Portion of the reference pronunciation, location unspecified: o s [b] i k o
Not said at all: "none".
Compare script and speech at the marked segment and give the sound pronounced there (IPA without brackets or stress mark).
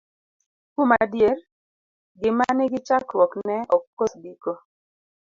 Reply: b